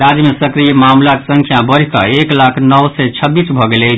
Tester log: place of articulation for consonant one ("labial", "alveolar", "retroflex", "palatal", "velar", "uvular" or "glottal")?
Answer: alveolar